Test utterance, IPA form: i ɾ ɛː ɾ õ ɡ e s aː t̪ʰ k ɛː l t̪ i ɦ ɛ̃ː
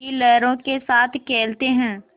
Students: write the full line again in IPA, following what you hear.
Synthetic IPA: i l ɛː ɾ õ k e s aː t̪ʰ k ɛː l t̪ e ɦ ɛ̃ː

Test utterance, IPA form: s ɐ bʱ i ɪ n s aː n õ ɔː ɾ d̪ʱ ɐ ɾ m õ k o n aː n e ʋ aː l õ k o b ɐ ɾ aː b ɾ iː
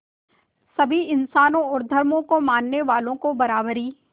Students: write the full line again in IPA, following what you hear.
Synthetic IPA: s ɐ bʱ i ɪ n s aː n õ ɔː ɾ d̪ʱ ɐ ɾ m õ k o m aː nː e ʋ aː l õ k o b ɐ ɾ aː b ɾ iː

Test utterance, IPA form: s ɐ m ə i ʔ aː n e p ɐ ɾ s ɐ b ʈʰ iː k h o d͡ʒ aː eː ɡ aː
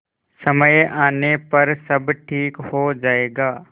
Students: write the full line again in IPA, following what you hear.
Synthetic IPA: s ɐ m ə j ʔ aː n e p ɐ ɾ s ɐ b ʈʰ iː k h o d͡ʒ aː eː ɡ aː

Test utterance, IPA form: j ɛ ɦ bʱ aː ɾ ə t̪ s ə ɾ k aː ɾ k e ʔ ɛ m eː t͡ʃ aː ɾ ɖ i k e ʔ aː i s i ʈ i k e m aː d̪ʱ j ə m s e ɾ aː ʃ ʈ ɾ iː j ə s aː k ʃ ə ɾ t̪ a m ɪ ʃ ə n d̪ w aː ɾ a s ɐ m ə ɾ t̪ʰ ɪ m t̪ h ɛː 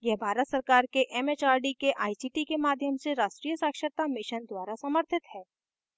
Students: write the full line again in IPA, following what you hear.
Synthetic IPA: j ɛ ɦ bʱ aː ɾ ə t̪ s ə ɾ k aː ɾ k e ʔ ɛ m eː t͡ʃ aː ɾ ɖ i k e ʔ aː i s i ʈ i k e m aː d̪ʱ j ə m s e ɾ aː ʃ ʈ ɾ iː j ə s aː k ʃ ə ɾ t̪ a m ɪ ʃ ə n d̪ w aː ɾ a s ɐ m ə ɾ t̪ʰ ɪ t̪ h ɛː

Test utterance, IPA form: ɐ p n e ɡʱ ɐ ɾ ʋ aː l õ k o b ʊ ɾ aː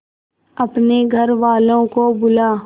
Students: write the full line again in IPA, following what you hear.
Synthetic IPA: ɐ p n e ɡʱ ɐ ɾ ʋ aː l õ k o b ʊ l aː

